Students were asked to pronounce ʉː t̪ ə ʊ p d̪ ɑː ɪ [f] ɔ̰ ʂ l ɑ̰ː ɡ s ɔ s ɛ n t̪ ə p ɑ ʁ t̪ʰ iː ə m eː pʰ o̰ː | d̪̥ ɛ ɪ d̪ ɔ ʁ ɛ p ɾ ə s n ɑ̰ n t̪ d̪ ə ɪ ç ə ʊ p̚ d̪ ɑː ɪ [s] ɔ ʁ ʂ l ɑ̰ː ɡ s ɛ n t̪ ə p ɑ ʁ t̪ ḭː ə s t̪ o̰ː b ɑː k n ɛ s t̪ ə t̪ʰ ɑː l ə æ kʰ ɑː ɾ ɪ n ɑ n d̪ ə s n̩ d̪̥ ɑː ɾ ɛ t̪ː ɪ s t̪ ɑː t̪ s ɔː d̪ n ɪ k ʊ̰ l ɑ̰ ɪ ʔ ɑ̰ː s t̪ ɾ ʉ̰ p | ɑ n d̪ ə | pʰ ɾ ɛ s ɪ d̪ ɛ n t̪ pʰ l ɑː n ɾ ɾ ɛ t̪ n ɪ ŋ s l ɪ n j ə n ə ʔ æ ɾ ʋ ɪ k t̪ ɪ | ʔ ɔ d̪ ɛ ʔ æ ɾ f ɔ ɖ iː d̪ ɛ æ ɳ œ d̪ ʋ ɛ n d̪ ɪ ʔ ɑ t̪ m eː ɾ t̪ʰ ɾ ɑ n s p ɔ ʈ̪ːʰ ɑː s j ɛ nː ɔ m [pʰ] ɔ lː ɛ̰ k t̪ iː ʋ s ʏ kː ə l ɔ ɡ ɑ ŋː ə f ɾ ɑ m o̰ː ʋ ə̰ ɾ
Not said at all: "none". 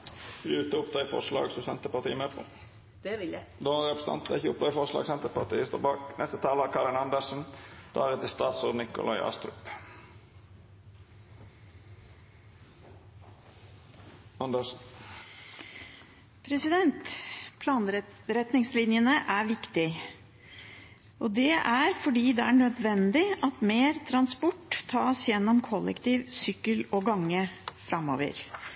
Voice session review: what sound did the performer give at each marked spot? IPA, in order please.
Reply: f, f, kʰ

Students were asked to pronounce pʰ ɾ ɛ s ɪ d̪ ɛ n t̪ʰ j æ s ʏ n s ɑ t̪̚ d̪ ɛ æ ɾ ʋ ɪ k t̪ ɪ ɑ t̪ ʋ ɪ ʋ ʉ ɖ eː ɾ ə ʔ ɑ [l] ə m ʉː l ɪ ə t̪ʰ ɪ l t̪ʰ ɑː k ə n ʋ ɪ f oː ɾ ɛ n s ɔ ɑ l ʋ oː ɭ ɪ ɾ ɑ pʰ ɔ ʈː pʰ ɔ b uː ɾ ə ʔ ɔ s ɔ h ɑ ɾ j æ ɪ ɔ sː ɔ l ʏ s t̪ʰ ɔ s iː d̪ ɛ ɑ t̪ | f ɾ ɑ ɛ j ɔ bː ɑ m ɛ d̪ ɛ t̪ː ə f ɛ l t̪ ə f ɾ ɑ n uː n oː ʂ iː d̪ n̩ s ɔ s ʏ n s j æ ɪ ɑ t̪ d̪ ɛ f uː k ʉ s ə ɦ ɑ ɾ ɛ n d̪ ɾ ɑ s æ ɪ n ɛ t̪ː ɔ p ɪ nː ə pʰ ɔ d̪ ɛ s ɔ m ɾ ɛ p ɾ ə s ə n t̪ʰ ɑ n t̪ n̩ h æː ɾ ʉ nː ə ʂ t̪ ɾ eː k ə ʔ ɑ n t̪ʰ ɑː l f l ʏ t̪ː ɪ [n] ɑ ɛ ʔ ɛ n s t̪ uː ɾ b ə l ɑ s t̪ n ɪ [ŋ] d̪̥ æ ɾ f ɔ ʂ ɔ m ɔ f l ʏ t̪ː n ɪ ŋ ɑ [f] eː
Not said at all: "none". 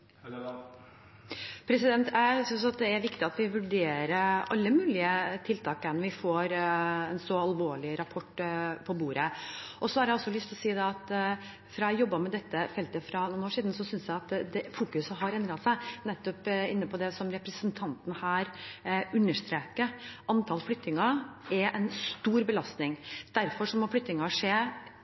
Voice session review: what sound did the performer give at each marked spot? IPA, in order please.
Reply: lː, ŋ, ŋ, ʂ

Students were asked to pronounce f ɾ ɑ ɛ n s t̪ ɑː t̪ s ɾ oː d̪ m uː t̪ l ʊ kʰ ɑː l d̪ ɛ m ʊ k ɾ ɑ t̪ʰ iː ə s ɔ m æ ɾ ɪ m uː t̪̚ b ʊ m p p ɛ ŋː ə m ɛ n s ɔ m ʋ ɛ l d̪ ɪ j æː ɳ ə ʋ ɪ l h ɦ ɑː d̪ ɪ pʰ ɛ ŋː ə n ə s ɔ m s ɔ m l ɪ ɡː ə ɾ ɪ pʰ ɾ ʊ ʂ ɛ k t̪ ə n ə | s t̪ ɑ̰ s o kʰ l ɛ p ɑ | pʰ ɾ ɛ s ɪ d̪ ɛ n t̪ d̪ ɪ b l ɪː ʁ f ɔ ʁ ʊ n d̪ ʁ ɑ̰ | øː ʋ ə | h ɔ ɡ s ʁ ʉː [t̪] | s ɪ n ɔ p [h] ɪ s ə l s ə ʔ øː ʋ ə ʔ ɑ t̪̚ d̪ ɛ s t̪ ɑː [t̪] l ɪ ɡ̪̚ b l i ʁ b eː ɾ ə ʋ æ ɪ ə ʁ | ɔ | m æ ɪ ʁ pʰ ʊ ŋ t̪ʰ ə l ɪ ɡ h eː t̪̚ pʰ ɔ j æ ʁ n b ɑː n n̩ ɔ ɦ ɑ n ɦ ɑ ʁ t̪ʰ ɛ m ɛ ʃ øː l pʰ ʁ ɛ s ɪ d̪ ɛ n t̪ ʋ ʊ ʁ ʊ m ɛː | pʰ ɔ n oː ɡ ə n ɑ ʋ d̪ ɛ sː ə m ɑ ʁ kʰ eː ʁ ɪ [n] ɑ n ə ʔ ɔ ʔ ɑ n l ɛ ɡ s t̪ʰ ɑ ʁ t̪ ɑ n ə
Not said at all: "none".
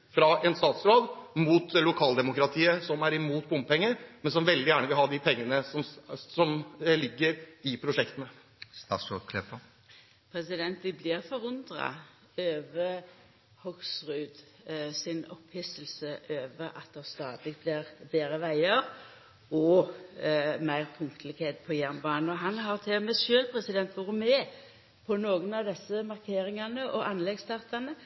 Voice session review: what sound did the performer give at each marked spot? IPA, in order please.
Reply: d̪, h, d̪, ŋ

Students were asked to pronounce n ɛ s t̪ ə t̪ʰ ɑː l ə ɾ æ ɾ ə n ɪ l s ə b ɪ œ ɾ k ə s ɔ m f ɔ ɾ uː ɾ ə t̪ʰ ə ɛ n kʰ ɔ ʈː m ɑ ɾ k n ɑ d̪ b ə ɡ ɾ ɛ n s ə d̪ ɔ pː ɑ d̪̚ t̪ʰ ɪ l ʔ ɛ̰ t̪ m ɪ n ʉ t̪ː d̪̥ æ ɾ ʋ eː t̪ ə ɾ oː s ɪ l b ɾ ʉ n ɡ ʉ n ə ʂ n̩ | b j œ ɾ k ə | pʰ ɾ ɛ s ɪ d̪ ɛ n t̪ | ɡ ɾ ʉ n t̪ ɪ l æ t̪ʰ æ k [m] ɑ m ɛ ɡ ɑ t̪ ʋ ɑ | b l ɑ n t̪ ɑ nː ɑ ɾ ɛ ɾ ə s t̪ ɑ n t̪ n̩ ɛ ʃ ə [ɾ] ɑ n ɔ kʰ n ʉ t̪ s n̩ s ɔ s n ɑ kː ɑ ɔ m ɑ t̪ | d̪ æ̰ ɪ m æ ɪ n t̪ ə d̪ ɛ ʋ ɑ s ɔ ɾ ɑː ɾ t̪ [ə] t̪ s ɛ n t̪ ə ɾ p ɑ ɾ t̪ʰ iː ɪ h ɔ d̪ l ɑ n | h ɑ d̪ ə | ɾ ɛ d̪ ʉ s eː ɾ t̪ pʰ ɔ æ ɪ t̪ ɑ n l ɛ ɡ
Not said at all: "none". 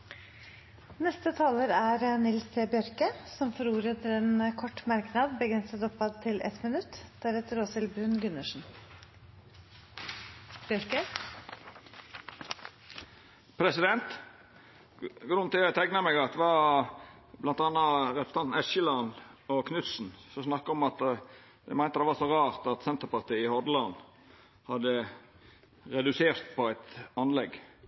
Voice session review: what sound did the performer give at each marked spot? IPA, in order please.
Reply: n, l, ɑ

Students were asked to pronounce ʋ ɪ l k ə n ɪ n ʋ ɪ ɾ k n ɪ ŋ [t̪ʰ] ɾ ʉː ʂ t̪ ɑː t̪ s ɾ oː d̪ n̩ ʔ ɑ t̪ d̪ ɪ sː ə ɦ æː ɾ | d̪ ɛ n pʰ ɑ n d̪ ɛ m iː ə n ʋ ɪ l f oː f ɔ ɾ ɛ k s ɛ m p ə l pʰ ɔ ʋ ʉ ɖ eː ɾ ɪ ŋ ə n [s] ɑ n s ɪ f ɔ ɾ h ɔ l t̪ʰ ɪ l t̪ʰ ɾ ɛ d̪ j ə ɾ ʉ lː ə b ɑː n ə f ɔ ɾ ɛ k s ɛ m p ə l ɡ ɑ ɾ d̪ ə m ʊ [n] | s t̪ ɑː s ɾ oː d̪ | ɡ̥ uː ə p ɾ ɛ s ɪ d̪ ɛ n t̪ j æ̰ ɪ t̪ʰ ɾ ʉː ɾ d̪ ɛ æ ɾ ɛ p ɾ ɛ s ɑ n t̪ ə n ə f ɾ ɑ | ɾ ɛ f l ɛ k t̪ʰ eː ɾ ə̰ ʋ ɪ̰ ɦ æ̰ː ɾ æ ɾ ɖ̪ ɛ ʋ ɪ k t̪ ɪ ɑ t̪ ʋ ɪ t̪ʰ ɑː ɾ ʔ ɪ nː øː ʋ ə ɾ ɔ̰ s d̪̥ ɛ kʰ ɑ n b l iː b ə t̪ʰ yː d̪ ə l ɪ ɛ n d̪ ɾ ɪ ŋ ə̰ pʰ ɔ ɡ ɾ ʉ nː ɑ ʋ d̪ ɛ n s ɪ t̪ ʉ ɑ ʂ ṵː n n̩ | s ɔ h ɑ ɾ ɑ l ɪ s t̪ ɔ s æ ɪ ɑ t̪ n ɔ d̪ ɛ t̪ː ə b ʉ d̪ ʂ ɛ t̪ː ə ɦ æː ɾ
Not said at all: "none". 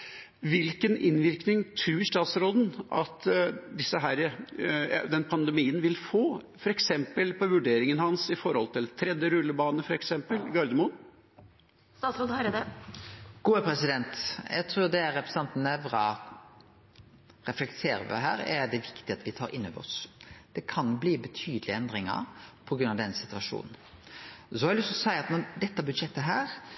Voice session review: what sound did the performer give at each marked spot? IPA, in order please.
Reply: t̪ʰ, h, n

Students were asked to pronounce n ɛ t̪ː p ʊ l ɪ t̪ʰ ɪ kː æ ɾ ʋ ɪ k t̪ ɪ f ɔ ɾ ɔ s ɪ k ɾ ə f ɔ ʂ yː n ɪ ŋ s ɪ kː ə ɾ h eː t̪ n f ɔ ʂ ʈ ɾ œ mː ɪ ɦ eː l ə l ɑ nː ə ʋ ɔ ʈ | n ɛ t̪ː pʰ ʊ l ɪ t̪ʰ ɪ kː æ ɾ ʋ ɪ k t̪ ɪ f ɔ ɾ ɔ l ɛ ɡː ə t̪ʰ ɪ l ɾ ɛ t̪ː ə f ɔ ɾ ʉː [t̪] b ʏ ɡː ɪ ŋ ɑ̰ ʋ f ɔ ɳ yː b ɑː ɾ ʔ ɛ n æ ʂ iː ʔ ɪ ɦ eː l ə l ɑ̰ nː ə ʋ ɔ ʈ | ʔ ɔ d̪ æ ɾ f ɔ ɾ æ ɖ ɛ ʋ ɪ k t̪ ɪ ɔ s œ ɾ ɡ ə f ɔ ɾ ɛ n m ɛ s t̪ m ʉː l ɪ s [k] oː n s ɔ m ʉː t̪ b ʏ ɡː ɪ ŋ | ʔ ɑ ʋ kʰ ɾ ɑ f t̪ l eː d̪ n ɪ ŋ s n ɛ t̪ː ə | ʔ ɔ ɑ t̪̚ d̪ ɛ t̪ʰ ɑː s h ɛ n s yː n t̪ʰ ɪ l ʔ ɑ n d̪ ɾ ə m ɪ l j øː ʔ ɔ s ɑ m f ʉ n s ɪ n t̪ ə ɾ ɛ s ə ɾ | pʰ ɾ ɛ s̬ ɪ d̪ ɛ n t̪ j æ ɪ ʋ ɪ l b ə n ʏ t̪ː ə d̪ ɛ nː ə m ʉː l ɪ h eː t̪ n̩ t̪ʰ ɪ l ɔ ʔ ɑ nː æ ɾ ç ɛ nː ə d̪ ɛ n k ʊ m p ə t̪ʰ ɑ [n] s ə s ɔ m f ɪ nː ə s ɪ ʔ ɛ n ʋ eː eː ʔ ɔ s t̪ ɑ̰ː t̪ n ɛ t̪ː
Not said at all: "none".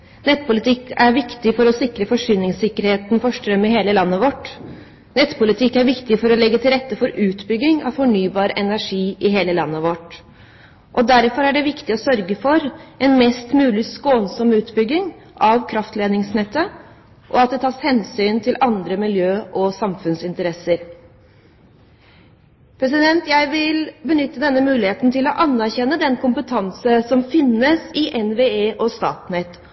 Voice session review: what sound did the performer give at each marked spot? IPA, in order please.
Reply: t̪, k, n

